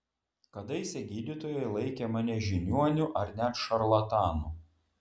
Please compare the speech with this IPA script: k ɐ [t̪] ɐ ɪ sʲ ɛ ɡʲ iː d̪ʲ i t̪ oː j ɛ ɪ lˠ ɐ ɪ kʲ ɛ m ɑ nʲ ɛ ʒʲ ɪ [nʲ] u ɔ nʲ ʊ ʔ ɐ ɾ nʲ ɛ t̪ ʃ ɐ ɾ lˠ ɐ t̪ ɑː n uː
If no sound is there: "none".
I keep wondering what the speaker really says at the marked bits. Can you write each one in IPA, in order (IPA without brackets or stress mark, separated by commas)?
d̪, nʲ